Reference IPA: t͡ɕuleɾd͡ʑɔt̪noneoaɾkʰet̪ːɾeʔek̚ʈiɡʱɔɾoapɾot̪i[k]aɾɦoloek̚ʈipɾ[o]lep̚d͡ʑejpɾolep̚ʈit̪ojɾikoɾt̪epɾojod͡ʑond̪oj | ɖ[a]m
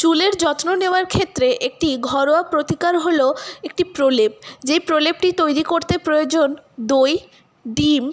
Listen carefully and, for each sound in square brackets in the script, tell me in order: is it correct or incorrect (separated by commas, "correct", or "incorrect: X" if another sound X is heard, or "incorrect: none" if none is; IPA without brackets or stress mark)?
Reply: correct, correct, incorrect: i